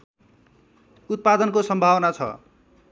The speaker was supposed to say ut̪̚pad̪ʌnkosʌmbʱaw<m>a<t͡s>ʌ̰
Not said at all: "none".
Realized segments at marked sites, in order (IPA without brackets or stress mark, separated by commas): n, t͡sʰ